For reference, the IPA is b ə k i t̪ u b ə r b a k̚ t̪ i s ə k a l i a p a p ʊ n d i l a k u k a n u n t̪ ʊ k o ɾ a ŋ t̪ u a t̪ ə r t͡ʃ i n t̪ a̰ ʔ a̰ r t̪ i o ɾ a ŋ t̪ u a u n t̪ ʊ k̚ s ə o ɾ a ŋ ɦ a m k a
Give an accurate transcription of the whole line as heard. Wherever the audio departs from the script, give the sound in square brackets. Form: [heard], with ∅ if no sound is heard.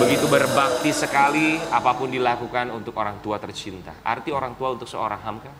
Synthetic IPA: b ə [ɡ] i t̪ u b ə r b a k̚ t̪ i s ə k a l i a p a p ʊ n d i l a k u k a n u n t̪ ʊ k o ɾ a ŋ t̪ u a t̪ ə r t͡ʃ i n t̪ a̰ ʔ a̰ r t̪ i o ɾ a ŋ t̪ u a u n t̪ ʊ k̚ s ə o ɾ a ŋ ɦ a m k a